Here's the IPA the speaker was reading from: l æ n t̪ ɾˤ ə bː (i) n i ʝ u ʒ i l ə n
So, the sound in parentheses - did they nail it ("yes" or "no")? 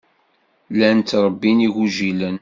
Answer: yes